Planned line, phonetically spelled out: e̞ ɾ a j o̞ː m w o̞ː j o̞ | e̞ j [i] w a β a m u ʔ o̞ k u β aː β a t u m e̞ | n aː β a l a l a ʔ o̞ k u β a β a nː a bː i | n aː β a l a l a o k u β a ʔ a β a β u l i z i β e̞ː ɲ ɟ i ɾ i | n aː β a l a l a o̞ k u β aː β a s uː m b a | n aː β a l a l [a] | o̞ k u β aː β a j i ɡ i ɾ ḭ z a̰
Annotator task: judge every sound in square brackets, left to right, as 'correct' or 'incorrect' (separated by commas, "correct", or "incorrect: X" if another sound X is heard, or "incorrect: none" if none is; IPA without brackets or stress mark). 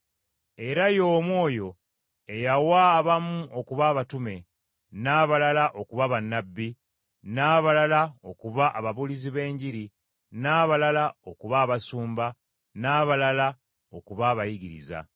incorrect: a, correct